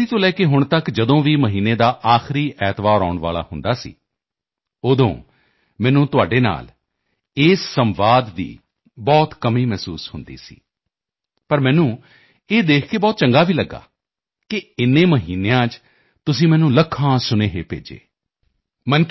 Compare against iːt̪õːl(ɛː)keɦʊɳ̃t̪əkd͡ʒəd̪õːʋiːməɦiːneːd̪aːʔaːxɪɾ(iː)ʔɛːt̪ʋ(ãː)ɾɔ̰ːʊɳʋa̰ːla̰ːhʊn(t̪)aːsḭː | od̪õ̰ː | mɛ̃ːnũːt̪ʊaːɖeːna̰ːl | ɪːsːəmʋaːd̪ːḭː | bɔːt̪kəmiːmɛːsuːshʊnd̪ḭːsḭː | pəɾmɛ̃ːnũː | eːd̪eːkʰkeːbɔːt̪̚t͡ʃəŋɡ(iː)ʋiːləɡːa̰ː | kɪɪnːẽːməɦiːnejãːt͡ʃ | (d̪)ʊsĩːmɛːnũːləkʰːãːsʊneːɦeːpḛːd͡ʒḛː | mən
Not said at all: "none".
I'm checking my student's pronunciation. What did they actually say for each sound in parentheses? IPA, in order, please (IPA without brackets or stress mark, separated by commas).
ɛː, iː, aː, d̪, aː, t̪